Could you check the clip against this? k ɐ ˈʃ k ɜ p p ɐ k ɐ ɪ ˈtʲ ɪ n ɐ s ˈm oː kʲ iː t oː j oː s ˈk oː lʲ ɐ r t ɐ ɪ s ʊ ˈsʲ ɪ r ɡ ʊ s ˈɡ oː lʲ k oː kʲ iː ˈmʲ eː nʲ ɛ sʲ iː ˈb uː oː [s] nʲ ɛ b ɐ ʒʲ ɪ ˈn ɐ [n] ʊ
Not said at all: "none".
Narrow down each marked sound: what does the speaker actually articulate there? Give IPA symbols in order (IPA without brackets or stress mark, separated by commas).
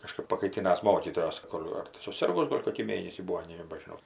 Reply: none, none